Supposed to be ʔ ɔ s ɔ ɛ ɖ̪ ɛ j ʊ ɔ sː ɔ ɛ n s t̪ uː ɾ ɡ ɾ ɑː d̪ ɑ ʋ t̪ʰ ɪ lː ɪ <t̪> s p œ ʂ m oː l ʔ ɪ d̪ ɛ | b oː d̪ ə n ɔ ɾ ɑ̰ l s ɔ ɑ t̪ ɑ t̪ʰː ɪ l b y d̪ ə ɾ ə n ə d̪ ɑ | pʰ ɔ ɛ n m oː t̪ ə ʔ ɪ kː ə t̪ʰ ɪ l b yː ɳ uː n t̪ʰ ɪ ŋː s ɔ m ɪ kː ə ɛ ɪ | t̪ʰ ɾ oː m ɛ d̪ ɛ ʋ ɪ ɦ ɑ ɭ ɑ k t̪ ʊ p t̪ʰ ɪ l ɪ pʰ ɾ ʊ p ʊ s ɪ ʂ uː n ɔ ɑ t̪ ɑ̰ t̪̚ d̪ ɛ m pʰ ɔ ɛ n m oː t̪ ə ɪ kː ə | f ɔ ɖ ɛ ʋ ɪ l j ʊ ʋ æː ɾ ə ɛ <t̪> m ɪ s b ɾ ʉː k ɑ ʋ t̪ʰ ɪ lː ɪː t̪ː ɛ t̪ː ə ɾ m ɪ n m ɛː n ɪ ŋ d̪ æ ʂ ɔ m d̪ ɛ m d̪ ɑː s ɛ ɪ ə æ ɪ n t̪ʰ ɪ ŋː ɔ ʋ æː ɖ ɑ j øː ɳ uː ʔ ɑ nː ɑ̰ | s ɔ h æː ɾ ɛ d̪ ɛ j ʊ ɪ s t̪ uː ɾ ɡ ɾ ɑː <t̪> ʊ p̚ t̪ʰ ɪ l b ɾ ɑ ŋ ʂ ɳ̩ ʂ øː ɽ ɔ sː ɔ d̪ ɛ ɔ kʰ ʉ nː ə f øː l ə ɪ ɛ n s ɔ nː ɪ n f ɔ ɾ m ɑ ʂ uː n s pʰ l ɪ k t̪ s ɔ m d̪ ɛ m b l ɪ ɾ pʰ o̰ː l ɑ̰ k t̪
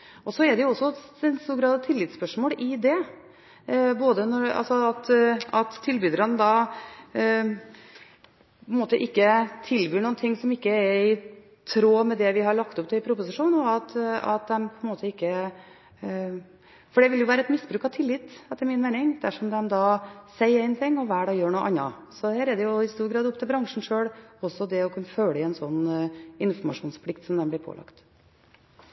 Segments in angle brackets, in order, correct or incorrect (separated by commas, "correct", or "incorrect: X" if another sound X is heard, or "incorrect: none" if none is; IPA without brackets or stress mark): correct, correct, incorrect: d̪